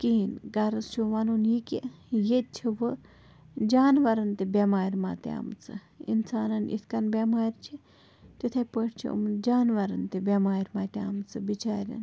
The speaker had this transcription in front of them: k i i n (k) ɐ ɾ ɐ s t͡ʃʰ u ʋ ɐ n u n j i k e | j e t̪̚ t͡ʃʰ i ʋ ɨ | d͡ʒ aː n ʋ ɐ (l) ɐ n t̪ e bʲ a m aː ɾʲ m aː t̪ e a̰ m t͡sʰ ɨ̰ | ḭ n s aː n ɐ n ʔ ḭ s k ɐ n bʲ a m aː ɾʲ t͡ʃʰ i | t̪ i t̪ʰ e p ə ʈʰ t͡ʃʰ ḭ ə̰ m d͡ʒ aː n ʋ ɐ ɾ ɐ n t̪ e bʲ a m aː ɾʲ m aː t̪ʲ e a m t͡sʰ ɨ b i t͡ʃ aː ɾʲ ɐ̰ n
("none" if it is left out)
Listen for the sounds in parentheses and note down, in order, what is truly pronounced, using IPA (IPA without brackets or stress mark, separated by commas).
ɡ, ɾ